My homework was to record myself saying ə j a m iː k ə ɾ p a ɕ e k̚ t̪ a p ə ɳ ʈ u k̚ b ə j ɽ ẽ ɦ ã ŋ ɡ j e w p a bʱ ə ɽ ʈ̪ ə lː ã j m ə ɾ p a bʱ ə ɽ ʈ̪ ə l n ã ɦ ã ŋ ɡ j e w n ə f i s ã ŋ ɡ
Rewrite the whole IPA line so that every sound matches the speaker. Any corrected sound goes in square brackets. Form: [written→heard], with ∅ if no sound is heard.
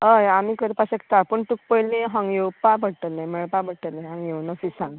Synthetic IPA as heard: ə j a m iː k ə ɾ p a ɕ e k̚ t̪ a p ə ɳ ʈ u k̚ [b→p] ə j [ɽ→l] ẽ ɦ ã ŋ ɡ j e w p a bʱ ə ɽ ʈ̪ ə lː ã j m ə [ɾ→ɭ] p a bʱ ə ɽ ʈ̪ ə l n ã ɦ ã ŋ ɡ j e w n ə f i s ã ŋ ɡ